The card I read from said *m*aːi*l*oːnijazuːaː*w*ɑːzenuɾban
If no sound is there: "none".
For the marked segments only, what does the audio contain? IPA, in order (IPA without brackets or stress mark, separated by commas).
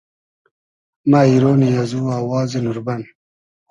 m, ɾ, w